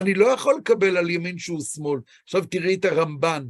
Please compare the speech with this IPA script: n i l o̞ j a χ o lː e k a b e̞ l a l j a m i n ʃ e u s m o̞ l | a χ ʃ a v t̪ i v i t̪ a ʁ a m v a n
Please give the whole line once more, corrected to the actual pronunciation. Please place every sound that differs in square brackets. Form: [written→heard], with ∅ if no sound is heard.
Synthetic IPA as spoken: n i l o̞ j a χ o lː e k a b e̞ l a l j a m i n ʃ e u s m o̞ l | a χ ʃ a v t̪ i [v→ʁ] i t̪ a ʁ a m [v→b] a n